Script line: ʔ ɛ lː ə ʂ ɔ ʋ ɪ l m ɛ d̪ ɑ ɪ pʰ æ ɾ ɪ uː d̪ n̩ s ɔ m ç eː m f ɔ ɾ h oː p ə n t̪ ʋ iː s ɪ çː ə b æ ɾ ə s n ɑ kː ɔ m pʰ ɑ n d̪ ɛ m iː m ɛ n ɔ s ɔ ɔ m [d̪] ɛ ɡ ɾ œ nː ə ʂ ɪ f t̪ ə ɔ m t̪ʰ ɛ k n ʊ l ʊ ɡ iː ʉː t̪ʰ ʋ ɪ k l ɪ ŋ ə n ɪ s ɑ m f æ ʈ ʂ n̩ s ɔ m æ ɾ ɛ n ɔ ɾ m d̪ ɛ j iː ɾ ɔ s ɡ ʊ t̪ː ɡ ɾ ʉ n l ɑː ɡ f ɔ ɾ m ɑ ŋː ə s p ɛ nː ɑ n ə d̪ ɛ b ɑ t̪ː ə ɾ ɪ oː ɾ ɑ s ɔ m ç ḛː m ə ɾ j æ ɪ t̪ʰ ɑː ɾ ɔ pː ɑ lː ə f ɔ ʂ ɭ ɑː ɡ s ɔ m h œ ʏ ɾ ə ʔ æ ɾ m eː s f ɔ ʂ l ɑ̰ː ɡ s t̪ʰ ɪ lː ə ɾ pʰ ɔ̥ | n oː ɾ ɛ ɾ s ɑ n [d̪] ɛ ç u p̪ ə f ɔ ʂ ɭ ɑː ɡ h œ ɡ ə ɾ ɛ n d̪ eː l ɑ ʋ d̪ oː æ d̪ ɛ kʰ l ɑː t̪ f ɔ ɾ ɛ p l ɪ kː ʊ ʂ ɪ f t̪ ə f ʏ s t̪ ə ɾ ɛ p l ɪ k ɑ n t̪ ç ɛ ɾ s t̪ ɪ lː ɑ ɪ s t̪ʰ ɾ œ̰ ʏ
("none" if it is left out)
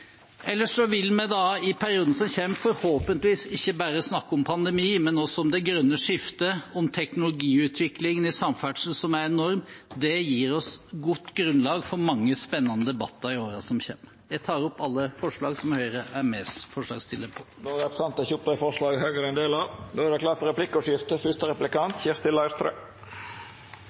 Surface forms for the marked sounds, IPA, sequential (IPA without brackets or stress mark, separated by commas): d̪, t̪